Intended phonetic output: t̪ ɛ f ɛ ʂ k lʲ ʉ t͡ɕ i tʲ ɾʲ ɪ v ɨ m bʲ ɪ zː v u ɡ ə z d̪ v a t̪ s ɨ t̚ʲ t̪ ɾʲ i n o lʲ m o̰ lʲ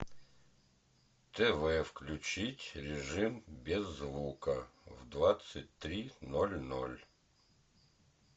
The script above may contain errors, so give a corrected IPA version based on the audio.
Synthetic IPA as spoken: t̪ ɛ v ɛ f k lʲ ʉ t͡ɕ i tʲ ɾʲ ɪ ʐ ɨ m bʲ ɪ zː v u k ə v d̪ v a t̪ s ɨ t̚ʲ t̪ ɾʲ i n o lʲ n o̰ lʲ